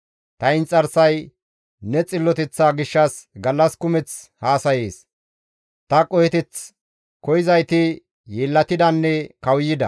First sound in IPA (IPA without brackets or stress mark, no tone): t̪